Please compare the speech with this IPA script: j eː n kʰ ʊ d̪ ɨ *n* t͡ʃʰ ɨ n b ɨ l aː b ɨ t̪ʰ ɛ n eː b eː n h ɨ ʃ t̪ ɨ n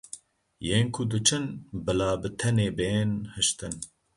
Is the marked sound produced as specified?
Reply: no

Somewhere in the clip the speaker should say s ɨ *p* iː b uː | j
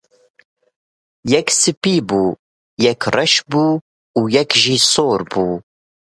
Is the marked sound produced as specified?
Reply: yes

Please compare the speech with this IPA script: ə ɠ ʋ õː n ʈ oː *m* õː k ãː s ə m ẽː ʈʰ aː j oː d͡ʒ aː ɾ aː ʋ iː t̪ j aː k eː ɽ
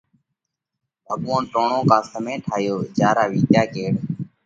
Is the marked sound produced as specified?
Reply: no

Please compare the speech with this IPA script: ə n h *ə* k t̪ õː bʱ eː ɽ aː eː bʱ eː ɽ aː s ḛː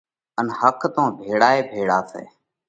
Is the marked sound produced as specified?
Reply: yes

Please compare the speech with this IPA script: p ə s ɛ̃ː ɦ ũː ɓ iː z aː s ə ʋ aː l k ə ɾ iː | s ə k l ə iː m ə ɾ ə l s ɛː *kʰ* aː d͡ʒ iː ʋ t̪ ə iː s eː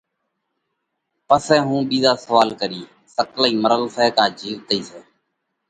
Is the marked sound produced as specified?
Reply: no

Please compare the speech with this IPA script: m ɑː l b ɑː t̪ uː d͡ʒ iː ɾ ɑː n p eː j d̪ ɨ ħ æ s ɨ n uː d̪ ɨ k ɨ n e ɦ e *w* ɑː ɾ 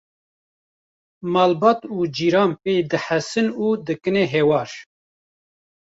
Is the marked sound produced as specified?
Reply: yes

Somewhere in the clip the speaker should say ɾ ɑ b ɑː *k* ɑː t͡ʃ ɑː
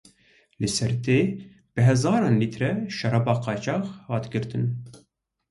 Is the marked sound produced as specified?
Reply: no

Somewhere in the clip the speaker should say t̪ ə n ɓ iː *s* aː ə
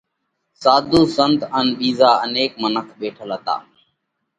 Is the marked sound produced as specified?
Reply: no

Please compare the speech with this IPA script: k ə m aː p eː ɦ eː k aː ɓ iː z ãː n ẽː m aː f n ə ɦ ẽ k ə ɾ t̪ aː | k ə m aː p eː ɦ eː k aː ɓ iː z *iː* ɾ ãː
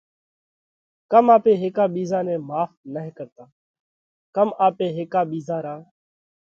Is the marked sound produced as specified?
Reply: no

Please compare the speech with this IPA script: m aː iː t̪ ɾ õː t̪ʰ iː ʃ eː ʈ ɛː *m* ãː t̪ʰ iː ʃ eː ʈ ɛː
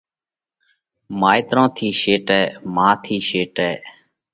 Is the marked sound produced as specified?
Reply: yes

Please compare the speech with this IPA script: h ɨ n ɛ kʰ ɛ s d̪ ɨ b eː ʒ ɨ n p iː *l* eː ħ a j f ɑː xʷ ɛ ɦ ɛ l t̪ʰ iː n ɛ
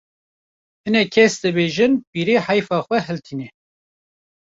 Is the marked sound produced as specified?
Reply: no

